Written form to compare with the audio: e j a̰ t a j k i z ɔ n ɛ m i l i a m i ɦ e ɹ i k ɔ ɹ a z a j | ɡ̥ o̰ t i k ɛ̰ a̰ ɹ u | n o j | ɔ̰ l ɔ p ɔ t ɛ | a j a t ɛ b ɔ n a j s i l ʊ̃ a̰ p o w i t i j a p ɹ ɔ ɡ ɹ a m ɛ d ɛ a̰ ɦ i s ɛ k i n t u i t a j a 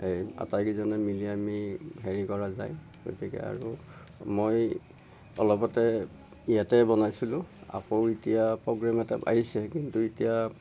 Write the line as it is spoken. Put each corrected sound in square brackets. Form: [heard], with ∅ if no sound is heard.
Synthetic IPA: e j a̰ t a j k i z ɔ n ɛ m i l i a m i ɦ e ɹ i k ɔ ɹ a z a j | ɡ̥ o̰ t i k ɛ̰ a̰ ɹ u | [m] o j | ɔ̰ l ɔ p ɔ t ɛ | [i] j a t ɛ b ɔ n a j s i l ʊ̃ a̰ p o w i t i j a p ɹ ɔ ɡ ɹ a m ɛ [t] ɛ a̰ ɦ i s ɛ k i n t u i t [i] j a

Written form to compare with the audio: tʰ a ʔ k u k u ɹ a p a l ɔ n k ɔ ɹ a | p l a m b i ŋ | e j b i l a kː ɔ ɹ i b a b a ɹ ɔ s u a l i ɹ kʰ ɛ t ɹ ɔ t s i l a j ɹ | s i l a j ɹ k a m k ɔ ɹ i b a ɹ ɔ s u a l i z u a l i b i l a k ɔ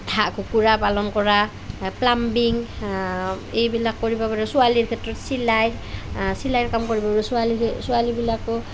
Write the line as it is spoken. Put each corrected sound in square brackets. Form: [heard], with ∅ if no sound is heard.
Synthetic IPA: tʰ a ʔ k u k u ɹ a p a l ɔ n k ɔ ɹ a | p l a m b i ŋ | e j b i l a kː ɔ ɹ i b a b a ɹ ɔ s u a l i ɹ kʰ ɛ t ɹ ɔ t s i l a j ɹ | s i l a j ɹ k a m k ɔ ɹ i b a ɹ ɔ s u a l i [s] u a l i b i l a k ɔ

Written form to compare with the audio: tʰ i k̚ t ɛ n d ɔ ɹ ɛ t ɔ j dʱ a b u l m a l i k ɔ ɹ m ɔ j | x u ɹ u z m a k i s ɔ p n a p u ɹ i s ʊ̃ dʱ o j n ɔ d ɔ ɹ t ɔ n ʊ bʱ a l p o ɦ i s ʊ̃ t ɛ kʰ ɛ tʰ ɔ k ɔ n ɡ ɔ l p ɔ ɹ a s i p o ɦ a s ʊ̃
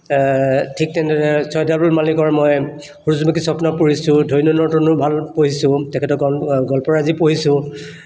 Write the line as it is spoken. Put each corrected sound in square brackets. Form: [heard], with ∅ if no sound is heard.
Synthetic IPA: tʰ i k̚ t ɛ n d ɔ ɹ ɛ [s] ɔ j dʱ a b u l m a l i k ɔ ɹ m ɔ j | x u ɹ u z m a k i s ɔ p n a p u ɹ i s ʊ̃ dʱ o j n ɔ [n] ɔ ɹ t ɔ n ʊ bʱ a l p o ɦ i s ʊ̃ t ɛ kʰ ɛ [t] ɔ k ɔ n ɡ ɔ l p ɔ ɹ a [z] i p o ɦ [i] s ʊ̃

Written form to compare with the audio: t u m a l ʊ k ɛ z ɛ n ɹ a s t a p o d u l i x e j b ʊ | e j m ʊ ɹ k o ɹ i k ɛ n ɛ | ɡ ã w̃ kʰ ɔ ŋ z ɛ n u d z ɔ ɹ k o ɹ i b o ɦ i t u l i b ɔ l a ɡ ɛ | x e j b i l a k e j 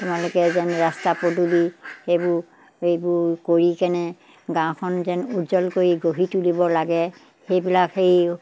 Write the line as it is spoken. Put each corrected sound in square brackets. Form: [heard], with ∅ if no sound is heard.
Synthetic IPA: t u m a l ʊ k ɛ z ɛ n ɹ a s t a p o d u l i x e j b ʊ | e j [b] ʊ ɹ k o ɹ i k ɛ n ɛ | ɡ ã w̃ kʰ ɔ [n] z ɛ n u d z ɔ [l] k o ɹ i [ɡ] o ɦ i t u l i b ɔ l a ɡ ɛ | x e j b i l a k e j

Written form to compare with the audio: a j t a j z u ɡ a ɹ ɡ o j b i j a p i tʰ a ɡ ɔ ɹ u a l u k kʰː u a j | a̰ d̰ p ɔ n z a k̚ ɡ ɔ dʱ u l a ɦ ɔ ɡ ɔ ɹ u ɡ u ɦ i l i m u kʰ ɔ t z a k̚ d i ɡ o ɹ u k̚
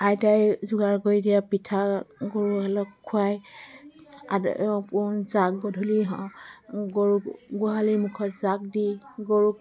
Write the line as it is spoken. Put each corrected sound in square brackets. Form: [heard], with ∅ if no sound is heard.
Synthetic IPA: a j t a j z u ɡ a ɹ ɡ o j [d] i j a p i tʰ a ɡ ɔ ɹ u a l [ɔ] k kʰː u a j | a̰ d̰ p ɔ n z a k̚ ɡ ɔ dʱ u l [i] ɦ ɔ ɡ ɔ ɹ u ɡ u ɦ [a] l i m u kʰ ɔ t z a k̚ d i ɡ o ɹ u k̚

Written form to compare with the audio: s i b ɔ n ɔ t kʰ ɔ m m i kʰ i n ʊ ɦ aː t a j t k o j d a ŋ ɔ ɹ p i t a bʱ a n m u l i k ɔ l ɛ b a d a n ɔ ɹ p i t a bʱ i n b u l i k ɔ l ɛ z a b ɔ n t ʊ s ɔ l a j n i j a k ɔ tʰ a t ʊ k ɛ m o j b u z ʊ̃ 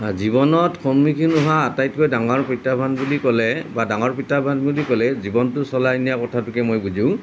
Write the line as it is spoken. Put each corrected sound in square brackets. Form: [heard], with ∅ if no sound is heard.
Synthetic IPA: [z] i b ɔ n ɔ t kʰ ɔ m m i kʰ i n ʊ ɦ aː t a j t k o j d a ŋ ɔ ɹ p i t a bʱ a n [b] u l i k ɔ l ɛ b a d a [ŋ] ɔ ɹ p i t a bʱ [a] n b u l i k ɔ l ɛ z [i] b ɔ n t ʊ s ɔ l a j n i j a k ɔ tʰ a t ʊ k ɛ m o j b u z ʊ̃

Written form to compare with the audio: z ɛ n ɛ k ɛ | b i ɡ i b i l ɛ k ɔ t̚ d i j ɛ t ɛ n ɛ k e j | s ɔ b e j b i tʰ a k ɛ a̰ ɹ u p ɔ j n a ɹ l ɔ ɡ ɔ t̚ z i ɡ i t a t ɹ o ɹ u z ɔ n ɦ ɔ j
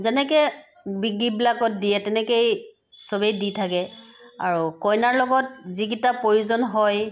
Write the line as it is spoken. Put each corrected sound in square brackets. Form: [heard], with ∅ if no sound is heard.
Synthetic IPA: z ɛ n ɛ k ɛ | b i ɡ i b i l [a] k ɔ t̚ d i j ɛ t ɛ n ɛ k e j | s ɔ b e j [d] i tʰ a k ɛ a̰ ɹ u [k] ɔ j n a ɹ l ɔ ɡ ɔ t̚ z i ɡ i t a [p] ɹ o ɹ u z ɔ n ɦ ɔ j

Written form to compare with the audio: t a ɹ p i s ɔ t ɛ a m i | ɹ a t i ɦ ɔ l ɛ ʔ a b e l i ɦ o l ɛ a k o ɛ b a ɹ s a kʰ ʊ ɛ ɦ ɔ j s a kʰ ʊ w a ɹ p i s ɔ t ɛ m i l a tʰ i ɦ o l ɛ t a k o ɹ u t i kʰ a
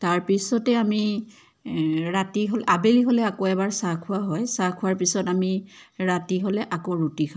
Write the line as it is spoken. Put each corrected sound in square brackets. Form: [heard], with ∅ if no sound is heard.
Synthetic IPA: t a ɹ p i s ɔ t ɛ a m i | ɹ a t i ɦ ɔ l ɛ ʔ a b e l i ɦ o l ɛ a k o ɛ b a ɹ s a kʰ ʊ [a] ɦ ɔ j s a kʰ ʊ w a ɹ p i s ɔ t [a] m i [ɹ] a [t] i ɦ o l ɛ [ʔ] a k o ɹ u t i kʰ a

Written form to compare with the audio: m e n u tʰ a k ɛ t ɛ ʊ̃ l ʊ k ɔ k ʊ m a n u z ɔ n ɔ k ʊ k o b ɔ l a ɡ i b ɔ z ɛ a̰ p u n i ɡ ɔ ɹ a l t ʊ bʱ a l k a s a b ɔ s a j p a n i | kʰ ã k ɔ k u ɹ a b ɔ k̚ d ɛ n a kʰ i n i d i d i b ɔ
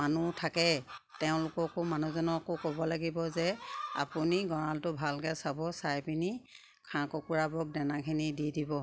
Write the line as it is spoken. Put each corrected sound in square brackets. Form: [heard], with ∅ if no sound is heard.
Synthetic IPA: m [a] n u tʰ a k ɛ t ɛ ʊ̃ l ʊ k ɔ k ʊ m a n u z ɔ n ɔ k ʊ k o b ɔ l a ɡ i b ɔ z ɛ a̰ p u n i ɡ ɔ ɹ a l t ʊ bʱ a l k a s a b ɔ s a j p [i] n i | kʰ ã k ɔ k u ɹ a b ɔ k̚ d ɛ n a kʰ i n i d i d i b ɔ

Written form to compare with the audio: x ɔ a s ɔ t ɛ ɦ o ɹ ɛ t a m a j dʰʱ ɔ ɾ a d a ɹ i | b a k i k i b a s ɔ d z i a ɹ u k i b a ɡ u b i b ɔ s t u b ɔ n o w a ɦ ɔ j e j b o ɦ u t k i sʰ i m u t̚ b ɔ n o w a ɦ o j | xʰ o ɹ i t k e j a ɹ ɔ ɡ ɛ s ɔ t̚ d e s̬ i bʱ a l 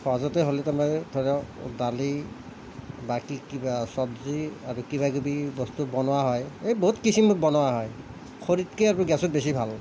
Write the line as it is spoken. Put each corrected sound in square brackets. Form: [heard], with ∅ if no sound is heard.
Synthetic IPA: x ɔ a [z] ɔ t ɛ ɦ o [l] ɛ t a m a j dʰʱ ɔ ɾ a d a [l] i | b a k i k i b a s ɔ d z i a ɹ u k i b a ɡ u b i b ɔ s t u b ɔ n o w a ɦ ɔ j e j b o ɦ u t k i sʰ i m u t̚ b ɔ n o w a ɦ [ɔ] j | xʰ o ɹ i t k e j a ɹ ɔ ɡ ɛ s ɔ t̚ [b] e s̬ i bʱ a l

